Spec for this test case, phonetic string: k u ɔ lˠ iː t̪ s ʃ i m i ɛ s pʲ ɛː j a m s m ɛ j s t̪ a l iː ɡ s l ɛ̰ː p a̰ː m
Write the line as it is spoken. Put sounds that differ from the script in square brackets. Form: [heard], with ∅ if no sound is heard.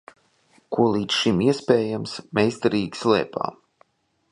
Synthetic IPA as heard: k u ɔ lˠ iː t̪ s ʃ i m i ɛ s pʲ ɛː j a m s m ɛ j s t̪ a [ɾ] iː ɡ s l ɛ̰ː p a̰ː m